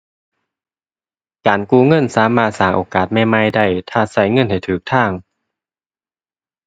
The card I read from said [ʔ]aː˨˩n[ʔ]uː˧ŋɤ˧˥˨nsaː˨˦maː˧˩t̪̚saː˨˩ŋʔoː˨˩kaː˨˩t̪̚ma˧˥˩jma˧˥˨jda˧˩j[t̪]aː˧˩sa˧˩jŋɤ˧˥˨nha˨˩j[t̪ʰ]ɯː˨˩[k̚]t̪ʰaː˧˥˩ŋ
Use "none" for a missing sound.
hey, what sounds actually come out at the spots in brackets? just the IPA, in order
k, k, t̪ʰ, t̪ʰ, k̚

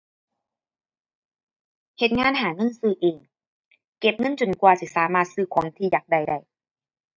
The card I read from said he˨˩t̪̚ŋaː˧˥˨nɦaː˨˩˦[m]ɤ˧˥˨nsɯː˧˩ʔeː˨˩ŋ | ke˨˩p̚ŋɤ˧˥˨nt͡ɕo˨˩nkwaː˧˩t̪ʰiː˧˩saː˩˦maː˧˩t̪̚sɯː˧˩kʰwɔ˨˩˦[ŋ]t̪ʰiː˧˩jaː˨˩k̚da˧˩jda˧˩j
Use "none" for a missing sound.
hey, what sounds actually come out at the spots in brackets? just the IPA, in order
ŋ, ŋ

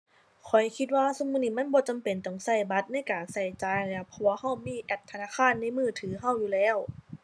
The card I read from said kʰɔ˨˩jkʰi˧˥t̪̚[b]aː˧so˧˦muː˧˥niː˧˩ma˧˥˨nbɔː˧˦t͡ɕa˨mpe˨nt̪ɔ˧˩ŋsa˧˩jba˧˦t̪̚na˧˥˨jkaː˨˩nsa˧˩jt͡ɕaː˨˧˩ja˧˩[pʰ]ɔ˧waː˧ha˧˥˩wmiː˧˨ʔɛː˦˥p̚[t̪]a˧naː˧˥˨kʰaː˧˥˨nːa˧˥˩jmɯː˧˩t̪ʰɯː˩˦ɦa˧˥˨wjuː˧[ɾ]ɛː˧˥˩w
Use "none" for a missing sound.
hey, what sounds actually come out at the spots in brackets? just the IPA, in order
w, pʰ, t̪ʰ, l

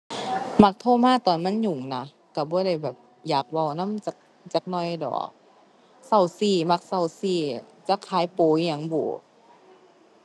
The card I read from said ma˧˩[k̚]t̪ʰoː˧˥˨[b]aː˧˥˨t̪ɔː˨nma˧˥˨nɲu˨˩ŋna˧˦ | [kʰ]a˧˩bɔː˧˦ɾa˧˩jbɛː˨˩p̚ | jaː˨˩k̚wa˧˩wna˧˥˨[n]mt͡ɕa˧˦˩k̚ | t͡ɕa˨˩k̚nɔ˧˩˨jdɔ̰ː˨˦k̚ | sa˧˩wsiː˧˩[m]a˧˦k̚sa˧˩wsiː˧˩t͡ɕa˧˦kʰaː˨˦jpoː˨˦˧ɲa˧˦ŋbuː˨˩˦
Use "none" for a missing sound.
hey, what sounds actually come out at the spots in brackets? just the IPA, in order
k̚, m, k, none, m

